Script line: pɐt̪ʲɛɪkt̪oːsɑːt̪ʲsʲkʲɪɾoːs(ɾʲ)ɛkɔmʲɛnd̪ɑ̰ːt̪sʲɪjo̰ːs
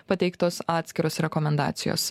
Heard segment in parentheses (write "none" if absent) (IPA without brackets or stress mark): ɾʲ